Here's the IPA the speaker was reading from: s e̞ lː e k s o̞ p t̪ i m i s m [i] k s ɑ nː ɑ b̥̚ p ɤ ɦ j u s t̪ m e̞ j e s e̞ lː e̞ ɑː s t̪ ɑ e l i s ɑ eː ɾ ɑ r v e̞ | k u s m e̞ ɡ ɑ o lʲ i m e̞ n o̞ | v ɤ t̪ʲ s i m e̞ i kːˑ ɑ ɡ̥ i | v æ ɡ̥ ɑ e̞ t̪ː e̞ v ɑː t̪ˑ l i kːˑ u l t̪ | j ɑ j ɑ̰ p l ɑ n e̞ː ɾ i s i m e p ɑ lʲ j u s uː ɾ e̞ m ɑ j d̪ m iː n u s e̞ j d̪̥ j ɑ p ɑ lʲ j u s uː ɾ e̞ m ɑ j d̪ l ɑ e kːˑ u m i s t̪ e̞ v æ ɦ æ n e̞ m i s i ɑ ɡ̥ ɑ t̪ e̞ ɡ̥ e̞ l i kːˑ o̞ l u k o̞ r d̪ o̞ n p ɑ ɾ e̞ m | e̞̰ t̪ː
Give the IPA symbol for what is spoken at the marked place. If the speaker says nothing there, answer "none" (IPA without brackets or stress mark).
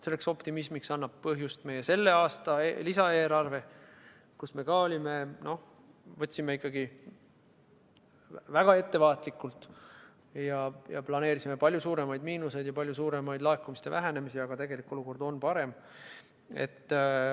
i